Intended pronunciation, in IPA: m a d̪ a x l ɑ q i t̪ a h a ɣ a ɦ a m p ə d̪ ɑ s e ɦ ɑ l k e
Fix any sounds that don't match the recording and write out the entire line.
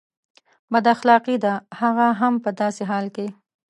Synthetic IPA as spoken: b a d̪ a x l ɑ q i d̪ a h a ɣ a ɦ a m p ə d̪ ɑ s e ɦ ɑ l k e

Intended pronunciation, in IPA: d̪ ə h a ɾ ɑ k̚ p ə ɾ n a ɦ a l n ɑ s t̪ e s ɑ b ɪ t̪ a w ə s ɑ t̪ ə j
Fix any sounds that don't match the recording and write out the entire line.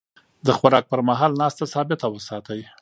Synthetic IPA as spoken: d̪ ə x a ɾ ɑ k̚ p ə ɾ m a ɦ ɑ l n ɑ s t̪ a s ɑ b ɪ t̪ a w ə s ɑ t̪ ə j

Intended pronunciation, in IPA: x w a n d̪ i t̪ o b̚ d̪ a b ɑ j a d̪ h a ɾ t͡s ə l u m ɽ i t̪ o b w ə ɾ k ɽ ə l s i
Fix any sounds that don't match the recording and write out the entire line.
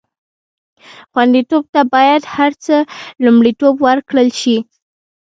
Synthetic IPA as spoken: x w a n d̪ i t̪ o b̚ t̪ a b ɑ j a d̪ h a ɾ t͡s ə l u m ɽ i t̪ o b w ə ɾ k ɽ ə l ʃ i

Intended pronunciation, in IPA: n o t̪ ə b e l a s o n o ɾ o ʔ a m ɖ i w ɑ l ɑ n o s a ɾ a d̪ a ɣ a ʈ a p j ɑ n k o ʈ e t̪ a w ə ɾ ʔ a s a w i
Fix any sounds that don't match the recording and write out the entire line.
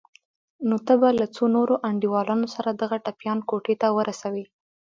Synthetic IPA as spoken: n o t̪ ə b a l a t͡s o n o ɾ o ʔ a ɳ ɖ i w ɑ l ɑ n o s a ɾ a d̪ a ɣ a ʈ a p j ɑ n k o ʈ e t̪ a w ə ɾ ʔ a s a w i

